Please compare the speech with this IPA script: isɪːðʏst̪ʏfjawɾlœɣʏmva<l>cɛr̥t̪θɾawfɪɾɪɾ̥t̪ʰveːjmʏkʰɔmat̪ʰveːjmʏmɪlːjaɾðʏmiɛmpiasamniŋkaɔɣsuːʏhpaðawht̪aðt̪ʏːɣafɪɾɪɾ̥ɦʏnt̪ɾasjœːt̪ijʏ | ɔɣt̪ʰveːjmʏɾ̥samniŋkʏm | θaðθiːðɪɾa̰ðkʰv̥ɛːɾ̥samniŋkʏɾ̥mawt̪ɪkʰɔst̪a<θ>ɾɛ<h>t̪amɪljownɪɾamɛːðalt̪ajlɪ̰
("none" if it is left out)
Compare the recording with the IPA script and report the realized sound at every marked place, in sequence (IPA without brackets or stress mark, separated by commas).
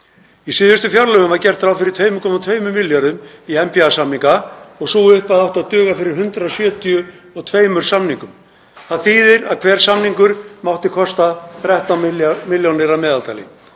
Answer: ɾ, θ, h